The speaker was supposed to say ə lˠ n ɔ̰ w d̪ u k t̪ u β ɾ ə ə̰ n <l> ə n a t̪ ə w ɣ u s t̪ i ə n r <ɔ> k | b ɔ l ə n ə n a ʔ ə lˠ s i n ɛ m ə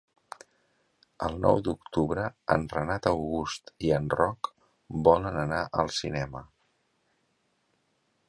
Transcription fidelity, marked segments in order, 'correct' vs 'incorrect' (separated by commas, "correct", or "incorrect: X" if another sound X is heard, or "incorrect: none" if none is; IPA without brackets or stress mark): incorrect: r, correct